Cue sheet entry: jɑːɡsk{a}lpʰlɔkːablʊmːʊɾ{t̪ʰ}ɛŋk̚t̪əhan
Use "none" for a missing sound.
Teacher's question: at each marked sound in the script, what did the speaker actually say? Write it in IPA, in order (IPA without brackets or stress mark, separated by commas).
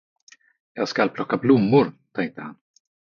a, t̪ʰ